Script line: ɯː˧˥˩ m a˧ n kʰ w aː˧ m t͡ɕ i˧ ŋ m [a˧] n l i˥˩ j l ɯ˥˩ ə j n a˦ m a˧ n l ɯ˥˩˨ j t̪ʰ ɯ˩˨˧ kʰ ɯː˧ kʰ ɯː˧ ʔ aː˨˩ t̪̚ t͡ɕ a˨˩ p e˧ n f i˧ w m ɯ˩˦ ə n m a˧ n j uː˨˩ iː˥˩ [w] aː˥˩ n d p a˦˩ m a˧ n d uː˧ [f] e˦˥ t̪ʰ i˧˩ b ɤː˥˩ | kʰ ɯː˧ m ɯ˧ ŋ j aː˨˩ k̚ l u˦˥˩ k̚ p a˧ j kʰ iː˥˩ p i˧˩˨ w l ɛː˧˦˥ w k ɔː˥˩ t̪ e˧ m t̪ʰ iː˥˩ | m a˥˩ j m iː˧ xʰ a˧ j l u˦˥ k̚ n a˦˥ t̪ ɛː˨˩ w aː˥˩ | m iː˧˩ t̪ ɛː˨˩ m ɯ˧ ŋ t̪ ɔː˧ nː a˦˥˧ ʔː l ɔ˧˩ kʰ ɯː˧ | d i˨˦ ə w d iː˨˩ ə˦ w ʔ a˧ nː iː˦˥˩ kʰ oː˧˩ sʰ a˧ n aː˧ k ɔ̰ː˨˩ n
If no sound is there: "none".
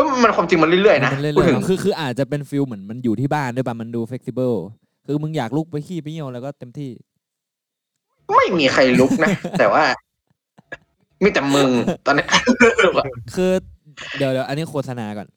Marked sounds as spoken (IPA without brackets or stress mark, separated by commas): a˧, b, f